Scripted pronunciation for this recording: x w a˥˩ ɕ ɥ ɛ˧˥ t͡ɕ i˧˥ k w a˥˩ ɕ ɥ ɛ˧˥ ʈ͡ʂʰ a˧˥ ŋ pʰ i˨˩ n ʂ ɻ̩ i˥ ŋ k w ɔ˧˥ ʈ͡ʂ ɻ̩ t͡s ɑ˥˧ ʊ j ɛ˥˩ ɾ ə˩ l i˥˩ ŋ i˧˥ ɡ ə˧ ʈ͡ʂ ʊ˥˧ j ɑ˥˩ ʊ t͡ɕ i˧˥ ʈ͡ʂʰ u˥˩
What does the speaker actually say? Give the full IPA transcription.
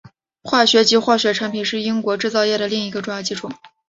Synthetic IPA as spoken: x w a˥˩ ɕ ɥ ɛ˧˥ t͡ɕ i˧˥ x w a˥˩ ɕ ɥ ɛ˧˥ ʈ͡ʂʰ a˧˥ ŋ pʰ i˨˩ n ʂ ɻ̩ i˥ ŋ k w ɔ˧˥ ʈ͡ʂ ɻ̩ t͡s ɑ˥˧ ʊ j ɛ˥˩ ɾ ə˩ l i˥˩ ŋ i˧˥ ɡ ə˧ ʈ͡ʂ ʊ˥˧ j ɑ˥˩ ʊ t͡ɕ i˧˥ ʈ͡ʂʰ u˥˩